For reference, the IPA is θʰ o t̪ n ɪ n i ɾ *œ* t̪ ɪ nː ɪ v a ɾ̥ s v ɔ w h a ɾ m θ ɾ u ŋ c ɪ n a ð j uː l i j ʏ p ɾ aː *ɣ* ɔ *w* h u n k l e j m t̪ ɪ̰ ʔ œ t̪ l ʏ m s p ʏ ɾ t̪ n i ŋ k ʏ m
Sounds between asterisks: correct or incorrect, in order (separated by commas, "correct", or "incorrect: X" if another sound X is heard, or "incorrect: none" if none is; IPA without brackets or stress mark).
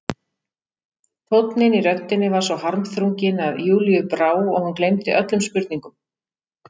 correct, incorrect: w, incorrect: ɣ